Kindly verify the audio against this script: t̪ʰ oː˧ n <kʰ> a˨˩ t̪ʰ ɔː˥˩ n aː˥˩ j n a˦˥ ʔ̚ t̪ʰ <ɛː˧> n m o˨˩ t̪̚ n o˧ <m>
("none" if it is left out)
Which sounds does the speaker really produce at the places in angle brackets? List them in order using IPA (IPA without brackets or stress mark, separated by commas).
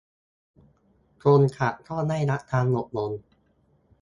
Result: kʰ, aː˧, n